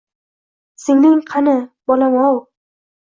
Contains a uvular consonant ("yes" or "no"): yes